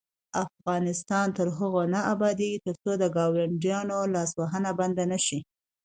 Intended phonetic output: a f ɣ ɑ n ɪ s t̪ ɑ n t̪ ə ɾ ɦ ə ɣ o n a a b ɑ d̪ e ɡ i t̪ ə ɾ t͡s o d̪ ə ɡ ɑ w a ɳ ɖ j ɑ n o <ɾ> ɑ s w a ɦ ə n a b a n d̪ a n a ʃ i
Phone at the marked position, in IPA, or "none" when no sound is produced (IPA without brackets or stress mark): l